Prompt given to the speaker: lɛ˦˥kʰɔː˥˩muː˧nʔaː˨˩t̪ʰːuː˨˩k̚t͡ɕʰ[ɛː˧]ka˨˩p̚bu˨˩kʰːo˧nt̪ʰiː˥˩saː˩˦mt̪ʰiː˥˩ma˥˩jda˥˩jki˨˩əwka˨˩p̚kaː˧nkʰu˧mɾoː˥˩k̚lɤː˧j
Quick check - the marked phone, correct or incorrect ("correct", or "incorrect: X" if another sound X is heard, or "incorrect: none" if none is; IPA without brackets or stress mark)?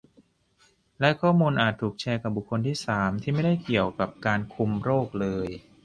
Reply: correct